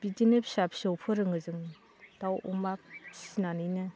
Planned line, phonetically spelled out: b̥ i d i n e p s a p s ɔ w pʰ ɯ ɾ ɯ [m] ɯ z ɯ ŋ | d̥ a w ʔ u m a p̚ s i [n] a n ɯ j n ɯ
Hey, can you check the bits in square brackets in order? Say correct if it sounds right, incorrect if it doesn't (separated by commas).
incorrect, correct